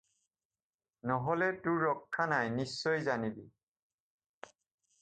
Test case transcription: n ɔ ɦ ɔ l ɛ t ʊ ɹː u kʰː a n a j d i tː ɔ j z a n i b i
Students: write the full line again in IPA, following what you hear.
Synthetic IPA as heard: n ɔ ɦ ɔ l ɛ t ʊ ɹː ɔ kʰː a n a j n i sː ɔ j z a n i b i

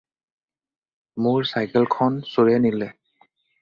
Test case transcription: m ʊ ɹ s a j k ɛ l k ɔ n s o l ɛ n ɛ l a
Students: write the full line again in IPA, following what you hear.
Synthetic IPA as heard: m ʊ ɹ s a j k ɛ l kʰ ɔ n s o ɹ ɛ n i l ɛ

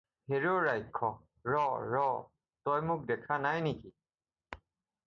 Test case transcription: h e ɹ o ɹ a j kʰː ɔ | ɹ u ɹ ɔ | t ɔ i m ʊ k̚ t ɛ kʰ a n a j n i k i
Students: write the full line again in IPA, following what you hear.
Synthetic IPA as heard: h e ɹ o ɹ a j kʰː ɔ | ɹ ɔ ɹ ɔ | t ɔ j m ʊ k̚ d ɛ kʰ a n a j n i k i

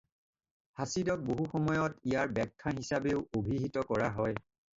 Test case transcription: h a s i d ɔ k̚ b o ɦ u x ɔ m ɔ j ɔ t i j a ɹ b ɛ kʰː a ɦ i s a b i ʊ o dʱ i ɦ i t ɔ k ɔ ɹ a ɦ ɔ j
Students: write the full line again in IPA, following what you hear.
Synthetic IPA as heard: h a s i d ɔ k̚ b o ɦ u x ɔ m ɔ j ɔ t i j a ɹ b ɛ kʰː a ɦ i s a b e ʊ o bʱ i ɦ i t ɔ k ɔ ɹ a ɦ ɔ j

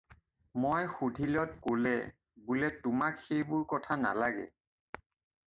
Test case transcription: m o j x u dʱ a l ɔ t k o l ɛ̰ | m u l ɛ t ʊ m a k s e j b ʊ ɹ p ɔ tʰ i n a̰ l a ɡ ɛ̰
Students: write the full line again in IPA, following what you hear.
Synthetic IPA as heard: m o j x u dʱ i l ɔ t k o l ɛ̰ | b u l ɛ t ʊ m a k x e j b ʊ ɹ k ɔ tʰ a n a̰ l a ɡ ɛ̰

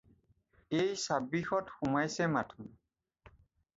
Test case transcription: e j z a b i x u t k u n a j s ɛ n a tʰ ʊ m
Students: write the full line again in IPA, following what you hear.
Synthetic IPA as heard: e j s a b i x ɔ t x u m a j s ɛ m a tʰ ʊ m

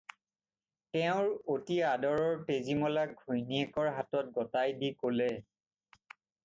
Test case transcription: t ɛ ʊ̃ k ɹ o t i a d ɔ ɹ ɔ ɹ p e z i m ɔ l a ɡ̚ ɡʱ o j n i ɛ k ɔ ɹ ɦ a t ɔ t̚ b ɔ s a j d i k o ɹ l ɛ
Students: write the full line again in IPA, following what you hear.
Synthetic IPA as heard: t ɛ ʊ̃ ɹ o t i a d ɔ ɹ ɔ ɹ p e z i m ɔ l a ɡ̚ ɡʱ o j n i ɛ k ɔ ɹ ɦ a t ɔ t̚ ɡ ɔ t a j d i k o l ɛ

